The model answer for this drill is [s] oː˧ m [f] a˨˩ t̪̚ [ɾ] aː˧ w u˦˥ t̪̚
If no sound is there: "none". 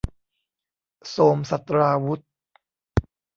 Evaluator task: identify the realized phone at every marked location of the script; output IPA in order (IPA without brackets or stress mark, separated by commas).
s, s, ɾ